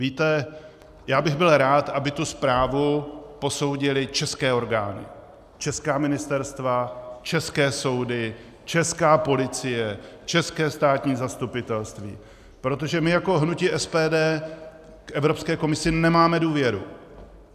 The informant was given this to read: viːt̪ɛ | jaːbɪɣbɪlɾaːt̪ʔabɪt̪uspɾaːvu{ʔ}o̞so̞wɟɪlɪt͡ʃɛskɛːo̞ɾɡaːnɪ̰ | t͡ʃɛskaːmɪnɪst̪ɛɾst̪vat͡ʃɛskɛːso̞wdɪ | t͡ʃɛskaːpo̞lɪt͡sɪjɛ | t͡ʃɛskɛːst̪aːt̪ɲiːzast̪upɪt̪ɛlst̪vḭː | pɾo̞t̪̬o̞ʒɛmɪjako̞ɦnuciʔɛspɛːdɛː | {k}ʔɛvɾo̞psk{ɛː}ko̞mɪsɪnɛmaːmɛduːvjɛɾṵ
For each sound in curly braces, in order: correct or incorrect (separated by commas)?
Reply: incorrect, correct, correct